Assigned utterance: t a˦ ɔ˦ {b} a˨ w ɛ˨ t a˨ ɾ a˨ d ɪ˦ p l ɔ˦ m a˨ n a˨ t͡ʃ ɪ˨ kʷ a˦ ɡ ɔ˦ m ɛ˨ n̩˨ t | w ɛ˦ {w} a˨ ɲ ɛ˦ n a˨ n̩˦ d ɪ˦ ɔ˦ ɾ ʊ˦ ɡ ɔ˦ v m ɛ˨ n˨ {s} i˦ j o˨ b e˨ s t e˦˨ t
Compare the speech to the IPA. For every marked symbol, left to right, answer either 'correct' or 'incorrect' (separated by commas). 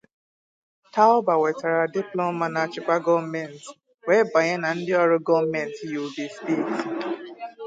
correct, incorrect, incorrect